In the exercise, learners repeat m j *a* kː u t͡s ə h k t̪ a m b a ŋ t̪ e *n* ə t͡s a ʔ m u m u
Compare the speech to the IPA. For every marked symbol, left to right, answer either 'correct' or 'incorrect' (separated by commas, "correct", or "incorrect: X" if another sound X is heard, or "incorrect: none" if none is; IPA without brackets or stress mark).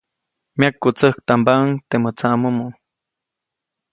correct, incorrect: m